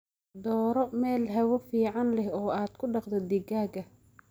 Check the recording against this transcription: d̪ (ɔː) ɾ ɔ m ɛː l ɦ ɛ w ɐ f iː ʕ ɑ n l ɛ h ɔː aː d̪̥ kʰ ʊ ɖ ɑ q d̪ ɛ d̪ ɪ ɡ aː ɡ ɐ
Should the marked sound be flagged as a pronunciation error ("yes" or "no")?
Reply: no